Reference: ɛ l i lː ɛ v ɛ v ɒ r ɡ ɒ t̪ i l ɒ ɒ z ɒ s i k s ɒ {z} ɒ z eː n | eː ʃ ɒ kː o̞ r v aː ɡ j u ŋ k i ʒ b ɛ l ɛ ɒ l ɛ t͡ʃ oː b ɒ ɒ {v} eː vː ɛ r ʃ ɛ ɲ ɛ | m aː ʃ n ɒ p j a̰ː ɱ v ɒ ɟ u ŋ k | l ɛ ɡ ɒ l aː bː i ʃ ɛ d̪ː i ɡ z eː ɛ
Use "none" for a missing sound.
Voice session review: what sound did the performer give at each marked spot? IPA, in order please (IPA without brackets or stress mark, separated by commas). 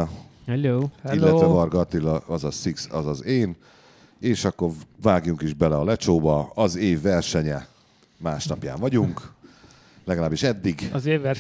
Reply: z, z